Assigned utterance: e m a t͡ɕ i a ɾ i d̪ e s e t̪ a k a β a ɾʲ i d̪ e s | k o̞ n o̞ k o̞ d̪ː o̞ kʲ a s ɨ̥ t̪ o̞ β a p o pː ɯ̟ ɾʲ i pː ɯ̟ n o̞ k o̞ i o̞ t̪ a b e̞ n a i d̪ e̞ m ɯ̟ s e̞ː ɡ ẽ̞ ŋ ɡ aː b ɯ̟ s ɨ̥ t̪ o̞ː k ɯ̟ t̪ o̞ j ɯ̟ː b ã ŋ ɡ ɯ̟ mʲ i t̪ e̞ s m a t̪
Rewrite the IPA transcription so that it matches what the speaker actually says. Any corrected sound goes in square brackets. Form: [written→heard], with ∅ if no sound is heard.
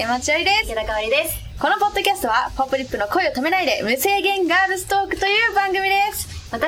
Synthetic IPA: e m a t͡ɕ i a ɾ i d̪ e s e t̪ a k a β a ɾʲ i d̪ e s | k o̞ n o̞ [k→p] o̞ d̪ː o̞ kʲ a s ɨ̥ t̪ o̞ β a p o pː ɯ̟ ɾʲ i pː ɯ̟ n o̞ k o̞ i o̞ t̪ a [b→m] e̞ n a i d̪ e̞ m ɯ̟ s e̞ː ɡ ẽ̞ ŋ ɡ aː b ɯ̟ s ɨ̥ t̪ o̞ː k ɯ̟ t̪ o̞ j ɯ̟ː b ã ŋ ɡ ɯ̟ mʲ i [t̪→d̪] e̞ s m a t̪